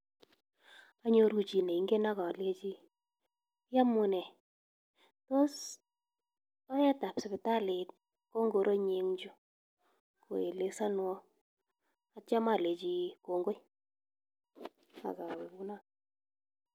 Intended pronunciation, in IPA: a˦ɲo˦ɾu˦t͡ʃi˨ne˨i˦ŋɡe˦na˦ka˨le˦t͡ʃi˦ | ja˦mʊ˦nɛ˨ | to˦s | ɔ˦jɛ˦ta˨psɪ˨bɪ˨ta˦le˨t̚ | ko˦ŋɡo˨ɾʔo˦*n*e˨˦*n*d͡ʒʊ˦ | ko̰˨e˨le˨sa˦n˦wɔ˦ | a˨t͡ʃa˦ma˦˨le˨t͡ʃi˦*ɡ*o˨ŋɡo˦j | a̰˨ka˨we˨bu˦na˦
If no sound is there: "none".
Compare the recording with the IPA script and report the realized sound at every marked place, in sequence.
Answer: ɲ, ŋ, k

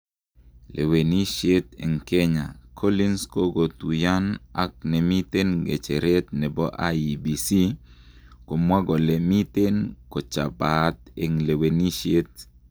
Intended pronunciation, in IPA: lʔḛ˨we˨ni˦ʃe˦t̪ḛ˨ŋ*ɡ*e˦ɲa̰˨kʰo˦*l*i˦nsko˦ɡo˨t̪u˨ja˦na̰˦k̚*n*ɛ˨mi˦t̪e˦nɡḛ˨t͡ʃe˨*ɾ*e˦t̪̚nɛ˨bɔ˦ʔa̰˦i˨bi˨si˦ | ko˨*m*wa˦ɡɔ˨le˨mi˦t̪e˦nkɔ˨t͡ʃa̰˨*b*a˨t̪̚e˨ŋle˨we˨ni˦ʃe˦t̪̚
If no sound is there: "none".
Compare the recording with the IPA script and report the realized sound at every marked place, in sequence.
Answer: k, l, n, ɾ, m, b

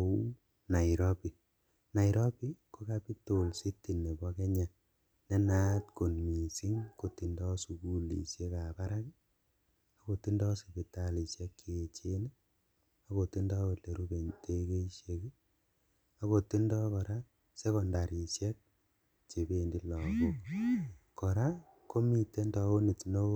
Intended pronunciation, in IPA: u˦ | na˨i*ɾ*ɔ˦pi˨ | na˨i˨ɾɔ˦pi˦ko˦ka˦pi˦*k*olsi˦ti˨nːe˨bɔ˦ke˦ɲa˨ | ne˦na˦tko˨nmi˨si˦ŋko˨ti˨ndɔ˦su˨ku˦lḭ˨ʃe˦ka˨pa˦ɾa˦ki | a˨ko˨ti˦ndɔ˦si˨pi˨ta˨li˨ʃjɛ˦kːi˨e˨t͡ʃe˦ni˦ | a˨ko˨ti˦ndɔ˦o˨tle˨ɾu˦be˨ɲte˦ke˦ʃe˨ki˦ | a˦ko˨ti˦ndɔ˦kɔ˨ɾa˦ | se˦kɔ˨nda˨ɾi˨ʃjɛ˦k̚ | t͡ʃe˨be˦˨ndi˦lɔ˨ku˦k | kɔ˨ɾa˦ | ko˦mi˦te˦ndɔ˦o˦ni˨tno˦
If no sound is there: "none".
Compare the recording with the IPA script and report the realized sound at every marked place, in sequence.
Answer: ɾ, t

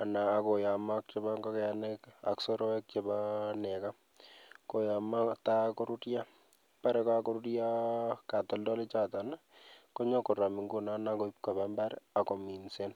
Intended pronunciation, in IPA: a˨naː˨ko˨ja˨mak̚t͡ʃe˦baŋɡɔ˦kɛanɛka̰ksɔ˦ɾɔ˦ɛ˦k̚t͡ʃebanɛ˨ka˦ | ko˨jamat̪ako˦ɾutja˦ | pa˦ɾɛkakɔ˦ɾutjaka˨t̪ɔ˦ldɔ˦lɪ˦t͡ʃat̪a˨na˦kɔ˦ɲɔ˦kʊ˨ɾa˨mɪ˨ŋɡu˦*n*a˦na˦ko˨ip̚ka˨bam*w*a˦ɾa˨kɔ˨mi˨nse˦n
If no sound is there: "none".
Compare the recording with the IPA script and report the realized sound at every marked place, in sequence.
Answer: n, b

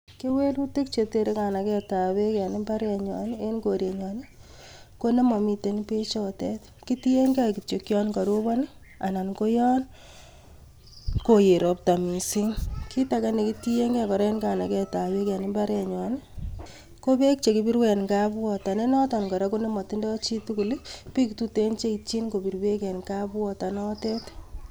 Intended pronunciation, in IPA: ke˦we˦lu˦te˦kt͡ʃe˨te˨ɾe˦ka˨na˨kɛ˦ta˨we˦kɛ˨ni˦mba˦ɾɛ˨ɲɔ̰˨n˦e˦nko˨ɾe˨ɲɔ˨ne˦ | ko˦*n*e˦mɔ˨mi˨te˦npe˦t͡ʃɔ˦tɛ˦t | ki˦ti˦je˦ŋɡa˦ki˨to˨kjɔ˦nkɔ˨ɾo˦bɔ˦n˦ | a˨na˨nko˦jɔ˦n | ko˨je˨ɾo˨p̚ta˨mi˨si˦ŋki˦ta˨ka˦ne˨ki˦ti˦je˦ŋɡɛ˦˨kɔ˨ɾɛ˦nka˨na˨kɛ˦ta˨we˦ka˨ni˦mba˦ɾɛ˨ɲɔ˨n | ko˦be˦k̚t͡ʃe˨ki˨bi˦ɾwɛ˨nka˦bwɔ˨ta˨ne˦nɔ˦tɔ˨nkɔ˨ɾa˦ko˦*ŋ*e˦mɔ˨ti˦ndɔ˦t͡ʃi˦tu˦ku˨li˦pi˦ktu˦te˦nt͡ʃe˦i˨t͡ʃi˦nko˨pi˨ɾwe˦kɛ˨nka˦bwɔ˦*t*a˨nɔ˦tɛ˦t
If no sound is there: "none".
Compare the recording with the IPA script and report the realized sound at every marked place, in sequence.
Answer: n, n, t

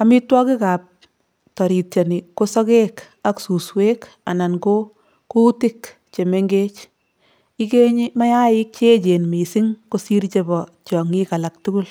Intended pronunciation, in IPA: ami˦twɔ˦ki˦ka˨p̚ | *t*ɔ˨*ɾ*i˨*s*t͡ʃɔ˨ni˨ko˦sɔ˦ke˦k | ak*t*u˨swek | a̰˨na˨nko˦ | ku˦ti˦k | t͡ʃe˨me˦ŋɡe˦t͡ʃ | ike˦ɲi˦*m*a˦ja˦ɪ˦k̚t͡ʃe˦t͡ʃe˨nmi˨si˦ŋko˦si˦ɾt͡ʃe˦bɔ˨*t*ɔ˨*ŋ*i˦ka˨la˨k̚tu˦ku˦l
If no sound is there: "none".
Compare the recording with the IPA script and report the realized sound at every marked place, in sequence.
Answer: t, ɾ, t, s, m, t͡ʃ, ŋ

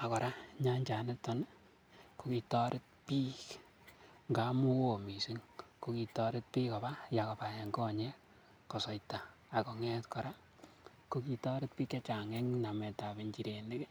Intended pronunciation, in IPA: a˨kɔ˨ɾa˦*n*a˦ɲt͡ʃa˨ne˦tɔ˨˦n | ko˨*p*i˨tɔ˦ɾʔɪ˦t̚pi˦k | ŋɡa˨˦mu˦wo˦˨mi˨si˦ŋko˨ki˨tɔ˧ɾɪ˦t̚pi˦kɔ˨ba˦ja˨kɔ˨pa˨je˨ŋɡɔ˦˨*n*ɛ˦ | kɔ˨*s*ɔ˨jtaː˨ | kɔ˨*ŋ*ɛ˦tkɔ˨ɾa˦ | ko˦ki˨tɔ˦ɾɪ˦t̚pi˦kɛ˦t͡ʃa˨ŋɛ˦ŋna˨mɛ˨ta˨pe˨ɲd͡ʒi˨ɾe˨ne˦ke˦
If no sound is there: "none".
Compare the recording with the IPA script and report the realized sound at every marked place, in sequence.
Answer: ɲ, k, ɲ, s, ŋ

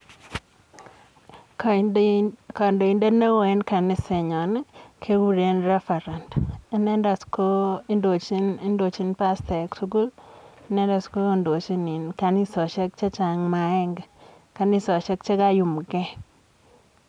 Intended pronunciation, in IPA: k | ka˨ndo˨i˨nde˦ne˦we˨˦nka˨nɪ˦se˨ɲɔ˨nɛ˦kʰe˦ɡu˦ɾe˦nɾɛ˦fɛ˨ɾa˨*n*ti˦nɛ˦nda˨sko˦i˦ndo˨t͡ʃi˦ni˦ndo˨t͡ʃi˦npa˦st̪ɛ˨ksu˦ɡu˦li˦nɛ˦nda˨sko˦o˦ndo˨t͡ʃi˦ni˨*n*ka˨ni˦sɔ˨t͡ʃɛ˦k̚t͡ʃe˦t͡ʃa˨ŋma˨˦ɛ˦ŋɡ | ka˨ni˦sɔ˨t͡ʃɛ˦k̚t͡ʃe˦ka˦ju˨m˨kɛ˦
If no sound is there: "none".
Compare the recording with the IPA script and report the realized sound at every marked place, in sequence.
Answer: n, n

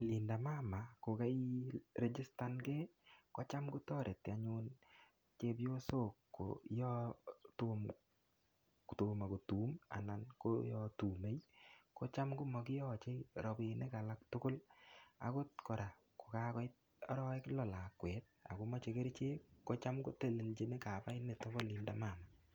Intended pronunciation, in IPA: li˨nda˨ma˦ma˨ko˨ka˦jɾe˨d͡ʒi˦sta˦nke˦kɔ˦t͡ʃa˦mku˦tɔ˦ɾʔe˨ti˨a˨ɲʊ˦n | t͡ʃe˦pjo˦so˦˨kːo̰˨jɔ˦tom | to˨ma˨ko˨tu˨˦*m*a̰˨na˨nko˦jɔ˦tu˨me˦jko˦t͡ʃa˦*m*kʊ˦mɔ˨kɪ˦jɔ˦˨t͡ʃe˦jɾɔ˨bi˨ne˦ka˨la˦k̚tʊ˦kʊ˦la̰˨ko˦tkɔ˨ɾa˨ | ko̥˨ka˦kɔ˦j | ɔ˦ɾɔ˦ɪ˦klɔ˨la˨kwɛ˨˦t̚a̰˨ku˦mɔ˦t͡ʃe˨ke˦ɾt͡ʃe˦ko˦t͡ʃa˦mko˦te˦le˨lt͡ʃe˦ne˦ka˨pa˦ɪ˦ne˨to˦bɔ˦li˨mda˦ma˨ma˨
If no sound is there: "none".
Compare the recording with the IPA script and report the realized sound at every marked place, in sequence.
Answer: m, m

